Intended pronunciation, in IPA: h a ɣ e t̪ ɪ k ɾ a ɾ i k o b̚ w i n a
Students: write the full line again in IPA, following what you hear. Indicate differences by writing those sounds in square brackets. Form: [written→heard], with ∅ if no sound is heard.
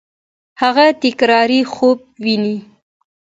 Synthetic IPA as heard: h a ɣ [e→a] t̪ ɪ k ɾ [a→ɑ] ɾ i [k→x] o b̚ w i n [a→i]